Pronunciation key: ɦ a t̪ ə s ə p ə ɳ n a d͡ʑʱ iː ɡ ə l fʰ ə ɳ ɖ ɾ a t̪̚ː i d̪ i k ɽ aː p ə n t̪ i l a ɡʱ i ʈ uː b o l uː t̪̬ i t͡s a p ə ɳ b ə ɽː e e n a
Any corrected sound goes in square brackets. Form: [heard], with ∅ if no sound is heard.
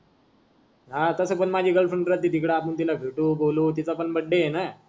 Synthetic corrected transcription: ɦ a t̪ ə s ə p ə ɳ [m] a d͡ʑʱ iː ɡ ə l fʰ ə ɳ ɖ ɾ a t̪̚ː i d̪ i k ɽ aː p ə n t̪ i l a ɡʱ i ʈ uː b o l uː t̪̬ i t͡s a p ə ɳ b ə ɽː e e n a